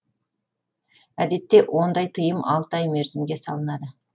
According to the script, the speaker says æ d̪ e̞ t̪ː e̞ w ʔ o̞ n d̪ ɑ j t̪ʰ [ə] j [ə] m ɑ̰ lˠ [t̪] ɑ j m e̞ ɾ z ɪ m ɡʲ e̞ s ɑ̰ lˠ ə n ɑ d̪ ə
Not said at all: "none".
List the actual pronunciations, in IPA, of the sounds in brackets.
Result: ə, ə, t̪

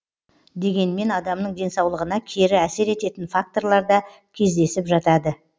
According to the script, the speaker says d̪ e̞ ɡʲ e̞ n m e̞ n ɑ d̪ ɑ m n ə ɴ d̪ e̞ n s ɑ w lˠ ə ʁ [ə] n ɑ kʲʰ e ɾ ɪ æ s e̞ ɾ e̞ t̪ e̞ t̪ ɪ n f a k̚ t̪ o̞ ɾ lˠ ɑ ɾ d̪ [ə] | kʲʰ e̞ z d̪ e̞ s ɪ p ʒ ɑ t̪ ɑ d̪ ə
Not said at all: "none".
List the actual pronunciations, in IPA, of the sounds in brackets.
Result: ə, ɑ

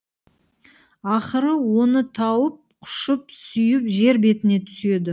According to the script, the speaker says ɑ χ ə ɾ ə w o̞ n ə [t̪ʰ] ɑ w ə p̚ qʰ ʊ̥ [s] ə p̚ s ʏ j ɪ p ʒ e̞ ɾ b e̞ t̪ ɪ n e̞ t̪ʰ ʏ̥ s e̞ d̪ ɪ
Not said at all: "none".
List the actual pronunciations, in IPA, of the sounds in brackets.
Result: t̪ʰ, ʃ

